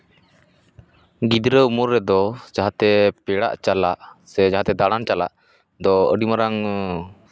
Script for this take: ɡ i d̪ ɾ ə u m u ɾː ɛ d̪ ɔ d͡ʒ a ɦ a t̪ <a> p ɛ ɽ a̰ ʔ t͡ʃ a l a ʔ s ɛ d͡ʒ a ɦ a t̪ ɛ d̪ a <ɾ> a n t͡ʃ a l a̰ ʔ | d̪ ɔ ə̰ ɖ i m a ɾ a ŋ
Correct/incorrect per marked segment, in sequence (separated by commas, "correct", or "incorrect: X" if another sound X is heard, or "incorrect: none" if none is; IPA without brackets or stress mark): incorrect: ɛ, incorrect: ɽ